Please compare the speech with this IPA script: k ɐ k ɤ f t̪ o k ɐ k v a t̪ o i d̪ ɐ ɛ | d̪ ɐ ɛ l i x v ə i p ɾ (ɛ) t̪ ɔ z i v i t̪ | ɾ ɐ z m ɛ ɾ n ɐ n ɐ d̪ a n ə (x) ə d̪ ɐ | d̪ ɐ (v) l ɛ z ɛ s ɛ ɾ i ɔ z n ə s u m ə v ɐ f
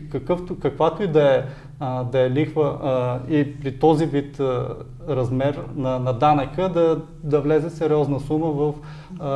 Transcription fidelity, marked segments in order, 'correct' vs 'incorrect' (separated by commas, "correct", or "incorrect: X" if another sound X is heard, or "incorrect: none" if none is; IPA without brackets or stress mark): incorrect: i, incorrect: k, correct